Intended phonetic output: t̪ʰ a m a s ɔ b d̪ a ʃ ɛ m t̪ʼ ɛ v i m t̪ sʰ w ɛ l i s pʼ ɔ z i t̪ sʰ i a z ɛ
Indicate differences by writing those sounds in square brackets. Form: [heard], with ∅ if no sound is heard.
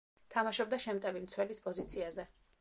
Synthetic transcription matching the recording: t̪ʰ a m a [ʃ] ɔ b d̪ a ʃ ɛ m t̪ʼ ɛ v i m t̪ sʰ w ɛ l i s pʼ ɔ z i t̪ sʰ i a z ɛ